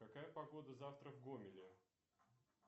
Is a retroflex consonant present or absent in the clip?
absent